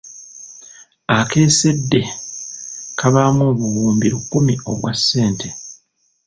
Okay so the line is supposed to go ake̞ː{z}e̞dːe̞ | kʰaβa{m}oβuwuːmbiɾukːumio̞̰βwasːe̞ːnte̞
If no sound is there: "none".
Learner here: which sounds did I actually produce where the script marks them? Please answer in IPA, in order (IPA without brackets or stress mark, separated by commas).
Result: s, m